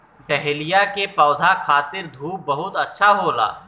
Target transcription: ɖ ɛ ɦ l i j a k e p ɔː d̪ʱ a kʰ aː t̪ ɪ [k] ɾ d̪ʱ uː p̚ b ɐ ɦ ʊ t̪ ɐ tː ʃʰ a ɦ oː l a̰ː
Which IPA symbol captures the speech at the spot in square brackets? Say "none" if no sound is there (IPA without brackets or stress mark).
none